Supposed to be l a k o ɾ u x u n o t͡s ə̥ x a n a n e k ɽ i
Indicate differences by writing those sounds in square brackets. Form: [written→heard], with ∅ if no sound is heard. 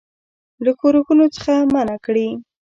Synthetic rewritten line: l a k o ɾ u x u n o t͡s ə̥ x a [n→m] a n [e→a] k ɽ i